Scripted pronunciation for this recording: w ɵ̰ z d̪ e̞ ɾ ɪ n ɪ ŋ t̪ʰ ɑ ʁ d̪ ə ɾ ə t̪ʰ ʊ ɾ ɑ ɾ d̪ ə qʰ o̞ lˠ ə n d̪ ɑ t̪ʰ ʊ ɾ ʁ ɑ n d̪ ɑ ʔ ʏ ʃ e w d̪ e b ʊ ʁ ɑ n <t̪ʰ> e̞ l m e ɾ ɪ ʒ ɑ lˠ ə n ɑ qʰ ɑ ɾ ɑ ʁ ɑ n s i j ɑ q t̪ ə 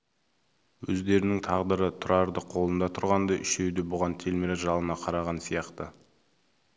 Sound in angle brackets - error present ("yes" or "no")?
no